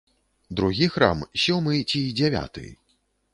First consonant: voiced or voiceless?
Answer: voiced